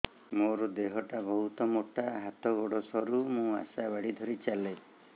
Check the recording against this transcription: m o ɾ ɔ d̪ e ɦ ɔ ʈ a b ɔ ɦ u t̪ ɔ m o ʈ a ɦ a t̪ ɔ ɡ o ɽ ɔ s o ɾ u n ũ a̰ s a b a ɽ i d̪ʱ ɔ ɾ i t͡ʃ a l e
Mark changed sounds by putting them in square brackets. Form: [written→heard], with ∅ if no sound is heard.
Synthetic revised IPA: m o ɾ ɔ d̪ e ɦ ɔ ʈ a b ɔ ɦ u t̪ ɔ m o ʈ a ɦ a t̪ ɔ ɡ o ɽ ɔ s [o→ɔ] ɾ u [n→m] ũ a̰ s a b a ɽ i d̪ʱ ɔ ɾ i t͡ʃ a l e

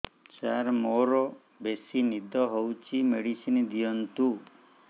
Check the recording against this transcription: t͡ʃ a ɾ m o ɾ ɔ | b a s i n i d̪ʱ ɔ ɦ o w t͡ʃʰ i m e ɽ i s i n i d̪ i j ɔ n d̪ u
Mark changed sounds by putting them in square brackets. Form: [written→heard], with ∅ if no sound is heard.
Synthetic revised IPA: t͡ʃ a ɾ m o ɾ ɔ | b [a→e] s i n i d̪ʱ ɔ ɦ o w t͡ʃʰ i m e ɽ i s i n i d̪ i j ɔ n [d̪→t̪] u

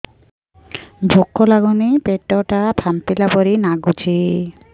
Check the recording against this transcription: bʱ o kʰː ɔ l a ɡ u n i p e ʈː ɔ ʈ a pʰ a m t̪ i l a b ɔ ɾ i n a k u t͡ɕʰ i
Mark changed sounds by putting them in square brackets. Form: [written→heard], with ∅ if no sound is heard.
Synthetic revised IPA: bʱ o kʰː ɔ l a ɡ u n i p e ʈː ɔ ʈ a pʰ a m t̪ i l a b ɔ ɾ i n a [k→ɡ] u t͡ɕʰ i

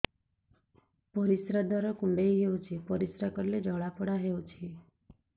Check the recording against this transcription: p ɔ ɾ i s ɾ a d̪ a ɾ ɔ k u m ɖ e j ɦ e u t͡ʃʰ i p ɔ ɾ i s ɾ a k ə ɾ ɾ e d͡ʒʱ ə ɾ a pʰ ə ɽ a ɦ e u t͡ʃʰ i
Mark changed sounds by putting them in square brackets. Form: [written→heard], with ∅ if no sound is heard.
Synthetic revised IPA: p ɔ ɾ i s ɾ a d̪ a ɾ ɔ k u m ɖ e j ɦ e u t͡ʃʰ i p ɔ ɾ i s ɾ a k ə ɾ [ɾ→l] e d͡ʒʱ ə [ɾ→ɭ] a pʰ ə ɽ a ɦ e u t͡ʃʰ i

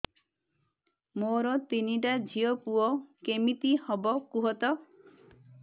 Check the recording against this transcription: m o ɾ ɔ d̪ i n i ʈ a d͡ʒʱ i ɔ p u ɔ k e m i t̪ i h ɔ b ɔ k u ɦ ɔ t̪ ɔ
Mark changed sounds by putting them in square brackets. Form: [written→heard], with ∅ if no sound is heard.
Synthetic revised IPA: m o ɾ ɔ [d̪→t̪] i n i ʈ a d͡ʒʱ i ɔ p u ɔ k e m i t̪ i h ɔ b ɔ k u ɦ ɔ t̪ ɔ

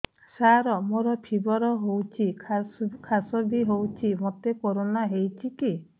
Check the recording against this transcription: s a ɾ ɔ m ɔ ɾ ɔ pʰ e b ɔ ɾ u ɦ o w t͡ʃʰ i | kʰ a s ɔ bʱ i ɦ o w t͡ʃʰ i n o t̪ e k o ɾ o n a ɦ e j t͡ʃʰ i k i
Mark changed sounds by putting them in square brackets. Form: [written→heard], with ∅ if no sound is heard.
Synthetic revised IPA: s a ɾ ɔ m [ɔ→o] ɾ ɔ pʰ [e→i] b ɔ ɾ [u→ɔ] ɦ o w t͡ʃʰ i | kʰ a s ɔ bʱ i ɦ o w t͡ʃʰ i [n→m] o t̪ e k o ɾ o n a ɦ e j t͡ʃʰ i k i

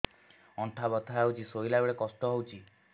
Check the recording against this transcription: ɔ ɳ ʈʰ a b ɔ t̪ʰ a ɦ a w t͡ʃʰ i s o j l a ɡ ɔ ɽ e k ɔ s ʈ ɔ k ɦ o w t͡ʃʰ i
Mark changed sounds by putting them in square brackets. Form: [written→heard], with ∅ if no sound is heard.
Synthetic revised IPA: ɔ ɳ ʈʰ a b ɔ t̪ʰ a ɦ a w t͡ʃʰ i s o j l a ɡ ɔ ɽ e k ɔ s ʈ ɔ [k→∅] ɦ o w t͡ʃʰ i

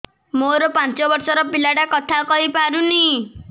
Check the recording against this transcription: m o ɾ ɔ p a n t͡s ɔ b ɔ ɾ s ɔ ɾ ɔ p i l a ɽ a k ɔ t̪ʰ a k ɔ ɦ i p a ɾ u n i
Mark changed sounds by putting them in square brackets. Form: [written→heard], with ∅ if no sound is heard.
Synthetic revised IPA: m o ɾ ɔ p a n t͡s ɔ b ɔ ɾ s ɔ ɾ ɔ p i l a ɽ a k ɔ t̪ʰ a k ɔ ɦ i p a ɾ u n i

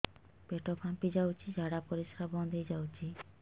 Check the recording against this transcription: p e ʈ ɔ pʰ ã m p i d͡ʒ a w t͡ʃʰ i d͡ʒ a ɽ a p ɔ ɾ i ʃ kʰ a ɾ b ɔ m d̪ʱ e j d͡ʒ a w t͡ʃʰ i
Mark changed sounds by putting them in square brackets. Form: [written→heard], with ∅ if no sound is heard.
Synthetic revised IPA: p e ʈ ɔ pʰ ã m p i d͡ʒ a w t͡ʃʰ i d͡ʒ a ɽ a p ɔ ɾ i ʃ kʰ a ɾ b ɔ [m→n] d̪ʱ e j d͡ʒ a w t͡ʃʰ i

